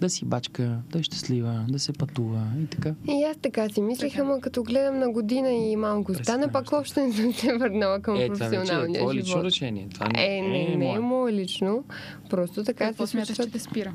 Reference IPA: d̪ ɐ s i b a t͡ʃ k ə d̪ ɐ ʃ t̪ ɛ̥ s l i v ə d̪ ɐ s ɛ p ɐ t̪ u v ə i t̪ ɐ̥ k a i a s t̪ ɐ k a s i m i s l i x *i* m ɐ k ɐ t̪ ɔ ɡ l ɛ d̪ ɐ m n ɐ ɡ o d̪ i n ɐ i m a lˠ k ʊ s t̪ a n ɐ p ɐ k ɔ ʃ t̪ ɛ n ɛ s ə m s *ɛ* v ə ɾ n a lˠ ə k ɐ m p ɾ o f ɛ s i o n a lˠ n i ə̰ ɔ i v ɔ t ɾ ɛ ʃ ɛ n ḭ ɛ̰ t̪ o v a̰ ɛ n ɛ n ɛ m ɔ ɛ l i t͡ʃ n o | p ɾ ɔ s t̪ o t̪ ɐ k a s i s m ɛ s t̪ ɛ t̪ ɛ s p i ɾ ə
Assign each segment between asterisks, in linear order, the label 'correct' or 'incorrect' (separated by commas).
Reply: incorrect, correct